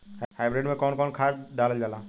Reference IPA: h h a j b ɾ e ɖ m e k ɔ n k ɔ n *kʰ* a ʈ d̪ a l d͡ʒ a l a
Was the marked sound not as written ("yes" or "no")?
no